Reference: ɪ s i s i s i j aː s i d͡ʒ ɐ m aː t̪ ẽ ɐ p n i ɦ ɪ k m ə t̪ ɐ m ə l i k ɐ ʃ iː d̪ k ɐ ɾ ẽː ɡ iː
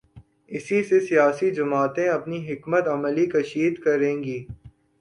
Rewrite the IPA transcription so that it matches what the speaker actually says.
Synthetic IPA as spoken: ɪ s i s e s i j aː s i d͡ʒ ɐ m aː t̪ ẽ ɐ p n i ɦ ɪ k m ə t̪ ɐ m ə l i k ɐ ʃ iː d̪ k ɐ ɾ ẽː ɡ iː